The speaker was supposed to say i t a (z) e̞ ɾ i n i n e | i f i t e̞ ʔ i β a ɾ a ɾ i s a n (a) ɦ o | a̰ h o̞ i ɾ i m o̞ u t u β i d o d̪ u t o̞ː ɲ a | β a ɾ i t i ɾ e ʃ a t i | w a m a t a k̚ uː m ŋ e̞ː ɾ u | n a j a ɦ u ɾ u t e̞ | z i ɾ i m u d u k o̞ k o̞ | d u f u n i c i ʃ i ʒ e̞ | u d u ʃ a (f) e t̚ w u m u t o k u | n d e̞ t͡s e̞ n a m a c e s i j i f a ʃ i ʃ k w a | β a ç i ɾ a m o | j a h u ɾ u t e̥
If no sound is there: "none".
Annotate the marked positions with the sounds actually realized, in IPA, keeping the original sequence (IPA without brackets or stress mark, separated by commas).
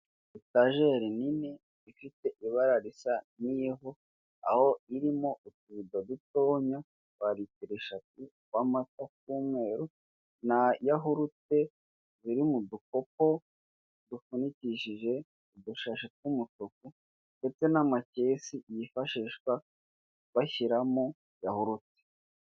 ʒ, i, ʃ